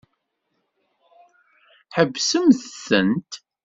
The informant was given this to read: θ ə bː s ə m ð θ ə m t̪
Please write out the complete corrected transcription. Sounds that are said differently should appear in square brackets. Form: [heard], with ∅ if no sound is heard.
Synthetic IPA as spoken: [ħ] ə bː s ə m [θ] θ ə [n] t̪